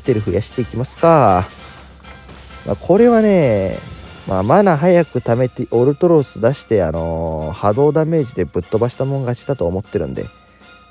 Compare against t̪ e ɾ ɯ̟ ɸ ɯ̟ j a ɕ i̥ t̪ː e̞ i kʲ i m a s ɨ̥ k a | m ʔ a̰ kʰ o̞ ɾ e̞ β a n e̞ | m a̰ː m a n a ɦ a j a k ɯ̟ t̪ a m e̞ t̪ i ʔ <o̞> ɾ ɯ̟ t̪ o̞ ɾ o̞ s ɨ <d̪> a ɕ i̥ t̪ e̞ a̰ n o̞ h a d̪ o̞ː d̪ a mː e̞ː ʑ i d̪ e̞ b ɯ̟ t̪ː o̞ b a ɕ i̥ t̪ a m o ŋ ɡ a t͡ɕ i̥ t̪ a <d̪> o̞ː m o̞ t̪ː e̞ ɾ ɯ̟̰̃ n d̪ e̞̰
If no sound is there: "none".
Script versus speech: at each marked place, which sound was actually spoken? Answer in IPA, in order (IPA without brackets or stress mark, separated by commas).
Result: o̞, d̪, t̪